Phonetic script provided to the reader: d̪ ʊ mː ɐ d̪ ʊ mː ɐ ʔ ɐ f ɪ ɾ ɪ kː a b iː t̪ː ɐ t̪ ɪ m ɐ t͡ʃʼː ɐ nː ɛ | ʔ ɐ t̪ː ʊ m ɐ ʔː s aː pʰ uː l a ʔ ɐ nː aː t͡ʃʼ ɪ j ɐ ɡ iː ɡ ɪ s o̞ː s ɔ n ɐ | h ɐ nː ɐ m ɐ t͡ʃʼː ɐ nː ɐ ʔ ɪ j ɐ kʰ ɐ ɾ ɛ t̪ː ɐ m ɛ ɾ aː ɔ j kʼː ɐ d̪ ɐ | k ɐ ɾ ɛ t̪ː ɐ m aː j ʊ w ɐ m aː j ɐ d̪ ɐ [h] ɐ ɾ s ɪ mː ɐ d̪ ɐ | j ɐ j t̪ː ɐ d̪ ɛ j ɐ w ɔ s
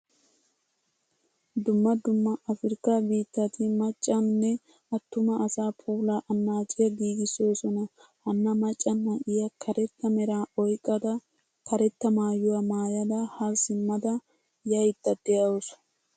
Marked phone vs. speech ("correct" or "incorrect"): correct